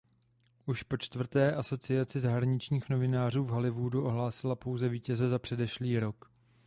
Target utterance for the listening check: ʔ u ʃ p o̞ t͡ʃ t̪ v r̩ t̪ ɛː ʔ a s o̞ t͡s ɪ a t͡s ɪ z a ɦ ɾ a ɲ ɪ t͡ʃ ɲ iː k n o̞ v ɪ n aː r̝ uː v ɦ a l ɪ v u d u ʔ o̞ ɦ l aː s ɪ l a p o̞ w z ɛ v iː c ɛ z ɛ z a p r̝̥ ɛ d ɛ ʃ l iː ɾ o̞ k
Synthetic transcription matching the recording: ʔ u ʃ p o̞ t͡ʃ t̪ v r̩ t̪ ɛː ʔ a s o̞ t͡s ɪ a t͡s ɪ z a ɦ ɾ a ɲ ɪ t͡ʃ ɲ iː x n o̞ v ɪ n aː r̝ uː v ɦ a l ɪ v u d u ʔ o̞ ɦ l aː s ɪ l a p o̞ w z ɛ v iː c ɛ z ɛ z a p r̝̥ ɛ d ɛ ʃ l iː ɾ o̞ k